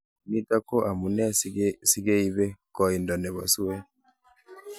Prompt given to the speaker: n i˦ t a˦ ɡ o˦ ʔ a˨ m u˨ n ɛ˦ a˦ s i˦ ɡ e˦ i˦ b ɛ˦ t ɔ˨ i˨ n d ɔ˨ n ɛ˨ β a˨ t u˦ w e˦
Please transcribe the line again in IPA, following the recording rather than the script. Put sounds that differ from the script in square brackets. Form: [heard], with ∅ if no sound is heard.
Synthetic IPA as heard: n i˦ t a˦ [k] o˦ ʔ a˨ m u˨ n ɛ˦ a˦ s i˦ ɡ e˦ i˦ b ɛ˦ [k] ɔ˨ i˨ n d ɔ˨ n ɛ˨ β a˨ [s] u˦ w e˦

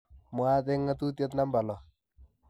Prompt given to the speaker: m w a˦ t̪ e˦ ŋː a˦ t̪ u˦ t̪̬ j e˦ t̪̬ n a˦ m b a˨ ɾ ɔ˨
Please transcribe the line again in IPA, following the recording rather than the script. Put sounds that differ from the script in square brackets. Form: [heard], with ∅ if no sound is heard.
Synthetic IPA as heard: m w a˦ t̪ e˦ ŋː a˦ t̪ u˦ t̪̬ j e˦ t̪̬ n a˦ m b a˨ [l] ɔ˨

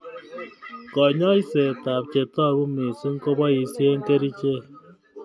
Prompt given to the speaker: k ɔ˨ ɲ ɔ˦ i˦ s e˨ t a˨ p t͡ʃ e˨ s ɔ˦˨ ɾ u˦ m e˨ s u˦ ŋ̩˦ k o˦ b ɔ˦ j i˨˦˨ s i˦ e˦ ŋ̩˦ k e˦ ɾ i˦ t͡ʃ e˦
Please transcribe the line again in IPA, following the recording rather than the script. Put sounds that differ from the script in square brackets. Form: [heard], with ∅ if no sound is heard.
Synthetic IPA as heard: k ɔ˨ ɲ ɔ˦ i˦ s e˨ t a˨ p t͡ʃ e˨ [t] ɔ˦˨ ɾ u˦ m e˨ s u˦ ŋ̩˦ k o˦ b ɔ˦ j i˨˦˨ s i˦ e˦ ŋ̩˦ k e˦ ɾ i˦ t͡ʃ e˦

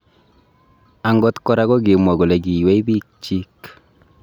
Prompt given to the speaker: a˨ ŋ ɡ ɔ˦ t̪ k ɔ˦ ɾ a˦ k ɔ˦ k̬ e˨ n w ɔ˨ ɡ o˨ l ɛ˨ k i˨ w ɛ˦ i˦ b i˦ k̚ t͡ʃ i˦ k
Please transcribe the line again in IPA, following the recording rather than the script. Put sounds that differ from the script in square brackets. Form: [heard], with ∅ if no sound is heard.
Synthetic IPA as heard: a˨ ŋ ɡ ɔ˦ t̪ k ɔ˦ ɾ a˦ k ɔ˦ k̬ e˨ [m] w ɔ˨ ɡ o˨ l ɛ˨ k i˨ w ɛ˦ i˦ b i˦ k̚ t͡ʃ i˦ k

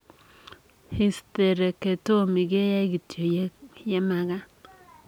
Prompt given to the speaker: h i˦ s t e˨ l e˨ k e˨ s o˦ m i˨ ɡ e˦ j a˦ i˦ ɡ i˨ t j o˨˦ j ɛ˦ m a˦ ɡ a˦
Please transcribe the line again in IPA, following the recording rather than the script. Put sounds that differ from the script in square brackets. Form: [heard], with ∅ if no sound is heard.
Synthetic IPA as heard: h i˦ s t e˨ [ɾ] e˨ k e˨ [t] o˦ m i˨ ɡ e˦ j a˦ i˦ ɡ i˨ t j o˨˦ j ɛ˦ m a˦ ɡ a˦

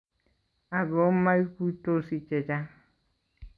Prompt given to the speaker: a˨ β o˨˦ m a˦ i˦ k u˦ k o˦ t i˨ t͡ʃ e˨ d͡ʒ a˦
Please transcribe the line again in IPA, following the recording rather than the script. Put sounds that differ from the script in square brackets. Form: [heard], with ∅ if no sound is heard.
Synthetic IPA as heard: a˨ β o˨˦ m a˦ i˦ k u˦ [t] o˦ [s] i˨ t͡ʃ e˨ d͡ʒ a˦

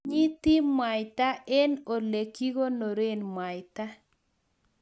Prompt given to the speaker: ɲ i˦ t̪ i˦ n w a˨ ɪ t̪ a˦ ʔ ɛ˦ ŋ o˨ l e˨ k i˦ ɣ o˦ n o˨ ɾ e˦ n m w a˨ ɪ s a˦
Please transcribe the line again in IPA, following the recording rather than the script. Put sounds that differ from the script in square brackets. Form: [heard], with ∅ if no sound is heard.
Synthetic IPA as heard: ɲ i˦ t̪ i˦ [m] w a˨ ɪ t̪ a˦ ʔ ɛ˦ [n] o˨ l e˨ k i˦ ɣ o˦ n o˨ ɾ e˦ n m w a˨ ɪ [t] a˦

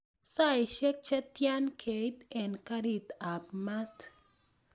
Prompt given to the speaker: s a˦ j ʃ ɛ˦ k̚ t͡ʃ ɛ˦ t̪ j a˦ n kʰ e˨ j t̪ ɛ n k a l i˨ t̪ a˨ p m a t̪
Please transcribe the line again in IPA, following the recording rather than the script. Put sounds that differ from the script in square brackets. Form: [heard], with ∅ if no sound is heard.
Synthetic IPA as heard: s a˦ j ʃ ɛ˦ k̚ t͡ʃ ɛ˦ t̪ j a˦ n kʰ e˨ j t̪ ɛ n k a [ɾ] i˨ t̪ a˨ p m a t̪

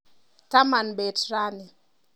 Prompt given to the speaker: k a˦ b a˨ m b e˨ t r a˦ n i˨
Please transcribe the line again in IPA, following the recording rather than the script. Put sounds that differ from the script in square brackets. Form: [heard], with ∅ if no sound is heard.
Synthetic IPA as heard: [t] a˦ [m] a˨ [n] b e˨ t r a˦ n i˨

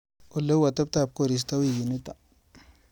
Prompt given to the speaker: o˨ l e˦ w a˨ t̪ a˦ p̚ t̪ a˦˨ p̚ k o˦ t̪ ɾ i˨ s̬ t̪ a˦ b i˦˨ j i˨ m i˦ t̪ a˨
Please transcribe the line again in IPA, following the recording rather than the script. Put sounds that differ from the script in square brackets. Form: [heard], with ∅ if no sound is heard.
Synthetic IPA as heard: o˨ l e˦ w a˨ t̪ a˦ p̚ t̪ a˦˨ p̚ k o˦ [∅] ɾ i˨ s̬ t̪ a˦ [w] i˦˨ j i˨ [n] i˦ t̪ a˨

